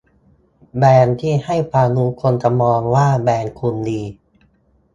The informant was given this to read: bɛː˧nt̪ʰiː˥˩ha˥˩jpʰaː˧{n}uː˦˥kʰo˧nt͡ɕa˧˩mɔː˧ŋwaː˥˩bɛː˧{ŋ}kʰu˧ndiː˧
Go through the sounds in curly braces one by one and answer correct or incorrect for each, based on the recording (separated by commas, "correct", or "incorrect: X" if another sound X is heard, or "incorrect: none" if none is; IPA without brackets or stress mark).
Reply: correct, incorrect: n